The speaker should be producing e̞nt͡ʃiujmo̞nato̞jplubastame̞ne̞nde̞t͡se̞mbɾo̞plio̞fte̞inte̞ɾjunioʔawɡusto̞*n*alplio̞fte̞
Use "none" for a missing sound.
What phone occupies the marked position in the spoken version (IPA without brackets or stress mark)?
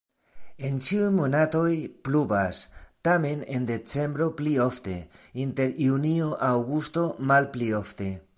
m